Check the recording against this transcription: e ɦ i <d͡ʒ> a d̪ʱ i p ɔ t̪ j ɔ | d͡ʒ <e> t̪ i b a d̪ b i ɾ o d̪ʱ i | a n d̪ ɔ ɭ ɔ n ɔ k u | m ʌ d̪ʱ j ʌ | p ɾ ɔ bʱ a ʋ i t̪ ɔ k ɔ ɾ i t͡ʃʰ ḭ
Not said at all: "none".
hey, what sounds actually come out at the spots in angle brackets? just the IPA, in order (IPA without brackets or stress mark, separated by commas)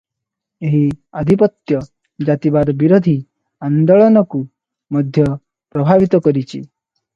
none, a